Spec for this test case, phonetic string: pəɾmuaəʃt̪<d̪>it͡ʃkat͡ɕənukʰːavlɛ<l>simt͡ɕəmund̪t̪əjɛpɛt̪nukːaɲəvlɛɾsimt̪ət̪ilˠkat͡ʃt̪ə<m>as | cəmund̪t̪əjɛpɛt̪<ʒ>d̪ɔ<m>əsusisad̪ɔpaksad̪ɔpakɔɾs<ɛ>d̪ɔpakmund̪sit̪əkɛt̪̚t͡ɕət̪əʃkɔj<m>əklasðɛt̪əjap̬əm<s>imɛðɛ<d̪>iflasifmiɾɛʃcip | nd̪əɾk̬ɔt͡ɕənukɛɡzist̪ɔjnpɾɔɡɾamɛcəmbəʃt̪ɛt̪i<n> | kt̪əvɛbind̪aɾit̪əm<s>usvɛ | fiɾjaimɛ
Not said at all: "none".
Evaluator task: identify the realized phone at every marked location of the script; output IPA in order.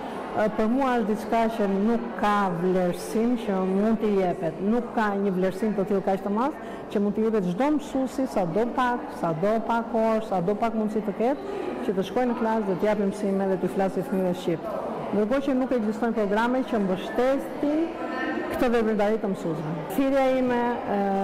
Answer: d̪, ɾ, m, ʒ, m, a, n, s, t̪, n, s

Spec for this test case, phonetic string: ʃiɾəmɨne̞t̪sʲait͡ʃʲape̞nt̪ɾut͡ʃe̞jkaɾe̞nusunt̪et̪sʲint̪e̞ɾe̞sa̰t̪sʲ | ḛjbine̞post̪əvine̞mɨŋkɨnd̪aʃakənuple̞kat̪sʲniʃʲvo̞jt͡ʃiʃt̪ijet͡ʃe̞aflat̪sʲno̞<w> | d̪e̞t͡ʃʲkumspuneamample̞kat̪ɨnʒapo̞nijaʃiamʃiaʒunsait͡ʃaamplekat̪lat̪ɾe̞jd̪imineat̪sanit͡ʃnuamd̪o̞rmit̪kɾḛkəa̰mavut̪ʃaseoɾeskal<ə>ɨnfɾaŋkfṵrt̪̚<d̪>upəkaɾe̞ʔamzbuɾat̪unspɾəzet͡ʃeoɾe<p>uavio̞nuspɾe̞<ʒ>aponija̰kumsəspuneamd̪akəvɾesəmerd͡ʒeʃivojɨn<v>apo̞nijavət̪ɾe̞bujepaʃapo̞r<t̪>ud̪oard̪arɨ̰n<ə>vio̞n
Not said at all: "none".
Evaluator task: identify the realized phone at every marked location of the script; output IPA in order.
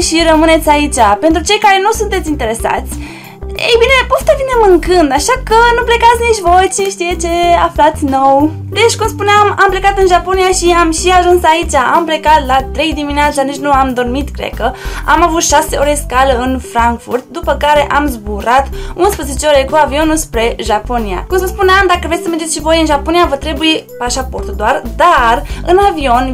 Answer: w, ə, d̪, k, ʒ, ʒ, t̪, a

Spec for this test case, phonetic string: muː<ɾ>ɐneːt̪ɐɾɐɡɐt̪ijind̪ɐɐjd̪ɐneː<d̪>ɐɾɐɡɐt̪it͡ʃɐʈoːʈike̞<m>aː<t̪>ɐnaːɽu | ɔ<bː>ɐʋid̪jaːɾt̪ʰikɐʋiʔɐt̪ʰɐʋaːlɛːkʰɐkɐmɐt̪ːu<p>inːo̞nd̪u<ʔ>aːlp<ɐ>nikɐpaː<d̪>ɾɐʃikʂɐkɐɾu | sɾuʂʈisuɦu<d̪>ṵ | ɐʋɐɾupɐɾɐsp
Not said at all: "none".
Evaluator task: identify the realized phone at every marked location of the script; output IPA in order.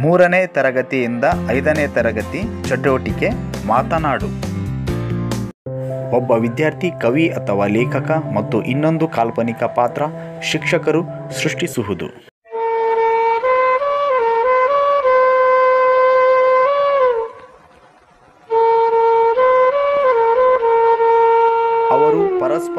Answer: ɾ, t̪, m, t̪, bː, ʔ, k, ɐ, t̪, d̪

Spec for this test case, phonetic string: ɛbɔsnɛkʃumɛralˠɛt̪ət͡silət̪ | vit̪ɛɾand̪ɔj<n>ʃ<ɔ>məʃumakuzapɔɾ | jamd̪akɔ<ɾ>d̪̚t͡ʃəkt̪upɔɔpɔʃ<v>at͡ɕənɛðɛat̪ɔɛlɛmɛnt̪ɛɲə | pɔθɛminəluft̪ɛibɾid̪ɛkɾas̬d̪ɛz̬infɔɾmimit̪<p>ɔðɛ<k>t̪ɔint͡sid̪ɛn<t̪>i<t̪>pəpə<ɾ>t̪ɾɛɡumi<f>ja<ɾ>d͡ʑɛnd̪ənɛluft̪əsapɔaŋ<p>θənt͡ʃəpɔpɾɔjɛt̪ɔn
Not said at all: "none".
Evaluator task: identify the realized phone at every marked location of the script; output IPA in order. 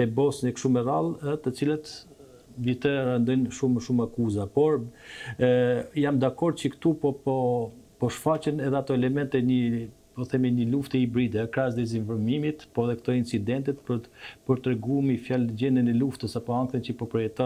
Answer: n, u, ɾ, f, p, k, t̪, t̪, ɾ, f, l, k

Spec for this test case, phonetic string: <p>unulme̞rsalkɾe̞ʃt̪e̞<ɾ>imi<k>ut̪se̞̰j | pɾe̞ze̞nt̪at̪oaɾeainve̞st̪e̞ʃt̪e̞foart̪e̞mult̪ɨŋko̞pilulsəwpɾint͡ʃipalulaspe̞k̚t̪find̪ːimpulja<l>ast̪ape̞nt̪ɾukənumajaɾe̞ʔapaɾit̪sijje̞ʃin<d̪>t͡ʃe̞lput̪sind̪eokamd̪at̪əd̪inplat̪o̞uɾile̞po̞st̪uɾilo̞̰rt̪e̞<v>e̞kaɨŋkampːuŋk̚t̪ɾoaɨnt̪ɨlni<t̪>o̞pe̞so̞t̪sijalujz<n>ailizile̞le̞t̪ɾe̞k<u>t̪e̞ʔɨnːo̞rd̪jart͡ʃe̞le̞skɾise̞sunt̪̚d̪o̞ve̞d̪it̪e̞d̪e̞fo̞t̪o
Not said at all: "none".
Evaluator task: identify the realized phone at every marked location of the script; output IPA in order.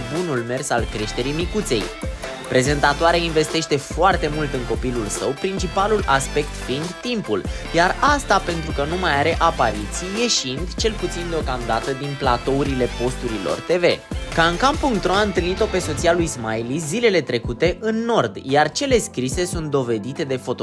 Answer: b, ɾ, k, r, d̪, v, t̪, m, u

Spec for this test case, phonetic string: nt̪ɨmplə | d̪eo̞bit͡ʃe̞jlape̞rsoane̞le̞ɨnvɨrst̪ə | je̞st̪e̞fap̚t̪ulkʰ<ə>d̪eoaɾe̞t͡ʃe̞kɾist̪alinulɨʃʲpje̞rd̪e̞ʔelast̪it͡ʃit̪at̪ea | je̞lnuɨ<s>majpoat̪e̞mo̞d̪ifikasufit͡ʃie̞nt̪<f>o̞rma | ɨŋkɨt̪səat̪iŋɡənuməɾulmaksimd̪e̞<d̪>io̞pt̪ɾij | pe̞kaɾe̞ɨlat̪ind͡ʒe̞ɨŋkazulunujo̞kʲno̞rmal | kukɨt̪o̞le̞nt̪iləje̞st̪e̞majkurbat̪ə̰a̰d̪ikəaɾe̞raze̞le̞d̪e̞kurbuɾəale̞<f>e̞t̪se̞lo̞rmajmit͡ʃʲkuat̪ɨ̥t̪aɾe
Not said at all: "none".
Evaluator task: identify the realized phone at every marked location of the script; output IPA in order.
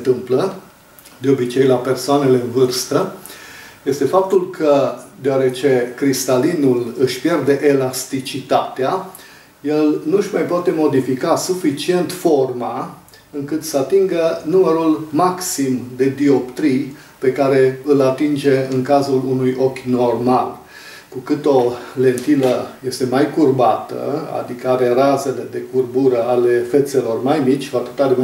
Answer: ə, ʃ, f, d̪, f

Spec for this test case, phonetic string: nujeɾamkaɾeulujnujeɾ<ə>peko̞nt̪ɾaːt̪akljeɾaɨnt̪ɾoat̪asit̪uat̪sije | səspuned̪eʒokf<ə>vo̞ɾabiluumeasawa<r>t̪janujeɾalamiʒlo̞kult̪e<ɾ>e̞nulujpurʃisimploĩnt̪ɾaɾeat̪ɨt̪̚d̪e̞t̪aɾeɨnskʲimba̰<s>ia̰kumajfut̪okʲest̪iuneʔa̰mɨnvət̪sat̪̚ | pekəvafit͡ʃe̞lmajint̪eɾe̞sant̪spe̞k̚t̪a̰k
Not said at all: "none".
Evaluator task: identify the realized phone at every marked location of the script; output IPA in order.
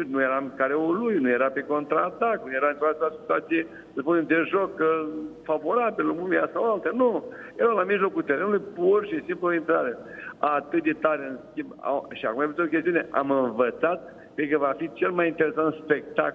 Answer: a, a, l, ɾ, ʃ

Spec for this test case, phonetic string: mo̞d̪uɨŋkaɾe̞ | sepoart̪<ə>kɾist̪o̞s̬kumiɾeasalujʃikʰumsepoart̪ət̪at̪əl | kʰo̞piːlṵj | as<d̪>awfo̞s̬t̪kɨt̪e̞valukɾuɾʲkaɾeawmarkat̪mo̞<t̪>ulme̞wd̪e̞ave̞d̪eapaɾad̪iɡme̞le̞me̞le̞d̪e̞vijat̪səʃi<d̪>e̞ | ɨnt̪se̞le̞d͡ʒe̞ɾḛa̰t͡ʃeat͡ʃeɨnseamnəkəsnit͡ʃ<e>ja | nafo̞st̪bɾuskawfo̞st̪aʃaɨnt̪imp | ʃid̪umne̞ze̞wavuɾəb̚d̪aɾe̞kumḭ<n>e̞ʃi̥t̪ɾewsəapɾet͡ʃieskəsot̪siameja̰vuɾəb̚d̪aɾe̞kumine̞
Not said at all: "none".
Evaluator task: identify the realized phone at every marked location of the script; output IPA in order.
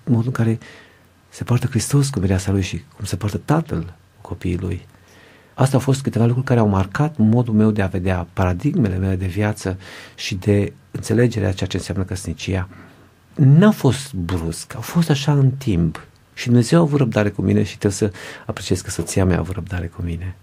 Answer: ə, t̪, d̪, d̪, i, n

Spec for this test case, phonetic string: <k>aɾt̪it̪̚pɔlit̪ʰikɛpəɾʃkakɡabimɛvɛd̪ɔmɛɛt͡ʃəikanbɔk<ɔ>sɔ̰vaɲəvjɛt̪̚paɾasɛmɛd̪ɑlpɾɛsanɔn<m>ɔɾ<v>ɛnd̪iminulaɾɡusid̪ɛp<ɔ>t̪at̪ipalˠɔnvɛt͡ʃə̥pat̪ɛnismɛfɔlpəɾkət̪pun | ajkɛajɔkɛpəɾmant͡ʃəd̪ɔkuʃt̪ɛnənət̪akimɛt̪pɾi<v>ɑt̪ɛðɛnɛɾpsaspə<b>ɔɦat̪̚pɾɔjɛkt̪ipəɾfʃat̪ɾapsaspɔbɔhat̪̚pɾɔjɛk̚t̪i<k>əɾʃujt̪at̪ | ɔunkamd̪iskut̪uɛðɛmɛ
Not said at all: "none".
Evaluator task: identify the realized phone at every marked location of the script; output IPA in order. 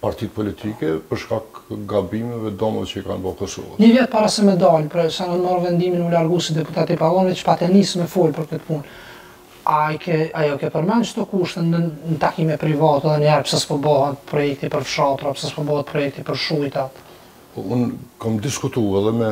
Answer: p, ɔ, m, v, u, v, b, p

